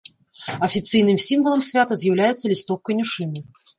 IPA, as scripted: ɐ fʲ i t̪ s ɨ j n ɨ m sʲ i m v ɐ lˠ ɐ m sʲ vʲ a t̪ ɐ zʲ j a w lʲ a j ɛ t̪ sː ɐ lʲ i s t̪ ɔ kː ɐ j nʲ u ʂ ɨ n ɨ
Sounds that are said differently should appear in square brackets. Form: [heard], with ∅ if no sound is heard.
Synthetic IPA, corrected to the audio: ɐ fʲ i t̪ s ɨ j n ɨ m sʲ i m v ɐ lˠ ɐ m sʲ vʲ a t̪ ɐ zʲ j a w lʲ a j ɛ t̪ sː ɐ lʲ i s t̪ ɔ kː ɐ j nʲ u ʂ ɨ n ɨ